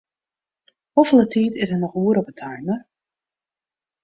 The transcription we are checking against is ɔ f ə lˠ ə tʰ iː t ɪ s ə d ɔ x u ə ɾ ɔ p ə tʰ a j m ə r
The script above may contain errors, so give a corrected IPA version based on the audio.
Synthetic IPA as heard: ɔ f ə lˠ ə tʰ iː t ɪ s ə n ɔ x u ə ɾ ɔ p ə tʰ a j m ə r